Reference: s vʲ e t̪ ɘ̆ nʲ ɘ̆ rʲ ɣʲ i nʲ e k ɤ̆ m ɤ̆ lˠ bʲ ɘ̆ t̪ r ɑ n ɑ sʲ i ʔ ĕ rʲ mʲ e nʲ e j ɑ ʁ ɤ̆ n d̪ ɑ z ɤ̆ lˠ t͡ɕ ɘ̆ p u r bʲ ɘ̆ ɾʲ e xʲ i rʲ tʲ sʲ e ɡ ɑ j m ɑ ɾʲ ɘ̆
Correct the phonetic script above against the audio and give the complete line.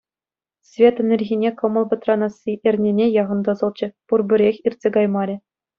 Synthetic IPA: s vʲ e t̪ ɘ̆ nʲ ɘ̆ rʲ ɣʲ i nʲ e k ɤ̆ m ɤ̆ lˠ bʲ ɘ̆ t̪ r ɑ n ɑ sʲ i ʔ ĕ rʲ nʲ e nʲ e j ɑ ʁ ɤ̆ n d̪ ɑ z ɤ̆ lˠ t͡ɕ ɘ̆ p u r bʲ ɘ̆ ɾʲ e xʲ i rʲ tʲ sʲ e ɡ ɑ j m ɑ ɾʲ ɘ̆